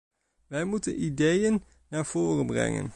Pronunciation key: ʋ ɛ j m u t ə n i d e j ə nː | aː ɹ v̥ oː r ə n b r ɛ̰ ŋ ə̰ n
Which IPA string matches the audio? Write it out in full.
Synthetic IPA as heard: ʋ ɛ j m u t ə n i d e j ə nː | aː ɹ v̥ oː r ə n b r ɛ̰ ŋ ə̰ n